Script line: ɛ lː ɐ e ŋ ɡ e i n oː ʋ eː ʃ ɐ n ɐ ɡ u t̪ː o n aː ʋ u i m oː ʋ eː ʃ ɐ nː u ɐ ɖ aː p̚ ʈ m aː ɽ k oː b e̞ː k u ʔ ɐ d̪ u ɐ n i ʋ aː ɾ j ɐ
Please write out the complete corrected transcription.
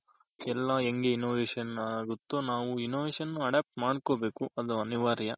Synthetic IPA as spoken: ɛ lː ɐ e ŋ ɡ e i n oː ʋ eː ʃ ɐ n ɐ ɡ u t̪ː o n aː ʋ u i n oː ʋ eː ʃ ɐ nː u ɐ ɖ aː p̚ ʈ m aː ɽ k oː b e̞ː k u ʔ ɐ d̪ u ɐ n i ʋ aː ɾ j ɐ